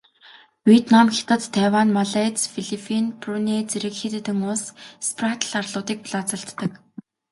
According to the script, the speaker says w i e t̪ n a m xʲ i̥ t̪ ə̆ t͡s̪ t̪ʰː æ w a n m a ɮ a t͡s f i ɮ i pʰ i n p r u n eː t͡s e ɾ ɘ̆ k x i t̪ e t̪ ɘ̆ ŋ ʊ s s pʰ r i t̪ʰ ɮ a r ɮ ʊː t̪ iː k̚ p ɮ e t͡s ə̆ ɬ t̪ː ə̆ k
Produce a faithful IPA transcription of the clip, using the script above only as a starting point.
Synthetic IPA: w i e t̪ n a m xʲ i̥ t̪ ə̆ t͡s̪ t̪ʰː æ w a n m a ɮ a t͡s f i ɮ i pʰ i n p r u n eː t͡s e ɾ ɘ̆ k x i t̪ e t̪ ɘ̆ ŋ ʊ s s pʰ r a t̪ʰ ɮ a r ɮ ʊː t̪ iː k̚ p ɮ a t͡s ə̆ ɬ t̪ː ə̆ k